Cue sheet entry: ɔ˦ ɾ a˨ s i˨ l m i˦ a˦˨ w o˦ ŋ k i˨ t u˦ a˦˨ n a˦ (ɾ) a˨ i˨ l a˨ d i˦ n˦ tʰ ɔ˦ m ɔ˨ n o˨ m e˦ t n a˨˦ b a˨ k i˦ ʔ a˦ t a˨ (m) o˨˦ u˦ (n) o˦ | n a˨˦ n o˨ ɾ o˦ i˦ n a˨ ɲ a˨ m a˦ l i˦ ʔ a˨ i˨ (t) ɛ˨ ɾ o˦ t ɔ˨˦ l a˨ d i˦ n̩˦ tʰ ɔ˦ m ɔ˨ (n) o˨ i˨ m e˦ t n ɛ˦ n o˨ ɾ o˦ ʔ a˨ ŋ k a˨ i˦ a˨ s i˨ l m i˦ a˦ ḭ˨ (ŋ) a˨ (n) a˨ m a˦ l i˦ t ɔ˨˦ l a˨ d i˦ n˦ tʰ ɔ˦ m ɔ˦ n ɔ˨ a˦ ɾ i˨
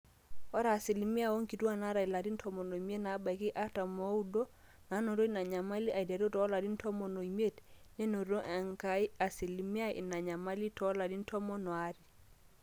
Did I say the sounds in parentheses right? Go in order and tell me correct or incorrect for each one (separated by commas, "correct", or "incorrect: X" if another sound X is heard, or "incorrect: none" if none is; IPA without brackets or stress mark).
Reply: correct, correct, incorrect: d, incorrect: d, correct, incorrect: n, incorrect: ɲ